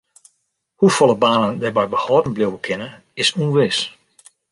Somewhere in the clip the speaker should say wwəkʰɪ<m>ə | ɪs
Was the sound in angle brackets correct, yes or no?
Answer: no